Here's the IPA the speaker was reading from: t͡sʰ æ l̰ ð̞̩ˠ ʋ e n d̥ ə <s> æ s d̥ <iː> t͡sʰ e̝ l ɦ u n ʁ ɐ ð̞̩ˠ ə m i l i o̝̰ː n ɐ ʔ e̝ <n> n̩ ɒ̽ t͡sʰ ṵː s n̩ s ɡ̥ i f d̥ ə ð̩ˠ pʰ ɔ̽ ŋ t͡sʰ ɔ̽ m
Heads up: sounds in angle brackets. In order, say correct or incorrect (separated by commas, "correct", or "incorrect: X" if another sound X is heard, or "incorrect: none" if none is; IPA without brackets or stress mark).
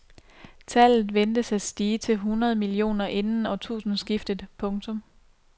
correct, correct, correct